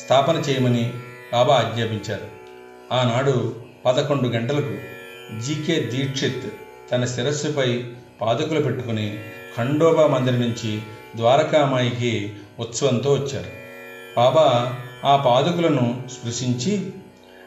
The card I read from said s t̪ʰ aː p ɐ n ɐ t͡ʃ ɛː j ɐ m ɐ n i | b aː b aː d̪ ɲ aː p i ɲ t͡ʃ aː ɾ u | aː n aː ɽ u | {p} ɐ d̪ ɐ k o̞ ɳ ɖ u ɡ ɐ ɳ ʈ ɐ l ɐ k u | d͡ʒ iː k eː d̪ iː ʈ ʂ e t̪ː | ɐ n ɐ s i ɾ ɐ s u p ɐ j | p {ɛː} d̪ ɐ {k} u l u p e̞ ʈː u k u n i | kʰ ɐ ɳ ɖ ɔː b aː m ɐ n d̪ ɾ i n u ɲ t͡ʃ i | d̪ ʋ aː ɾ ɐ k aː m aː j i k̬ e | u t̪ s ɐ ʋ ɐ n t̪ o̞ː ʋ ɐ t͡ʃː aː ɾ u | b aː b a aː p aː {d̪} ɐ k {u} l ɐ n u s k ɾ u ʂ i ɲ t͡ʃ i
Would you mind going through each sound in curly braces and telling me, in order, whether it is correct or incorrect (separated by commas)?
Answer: correct, incorrect, correct, correct, correct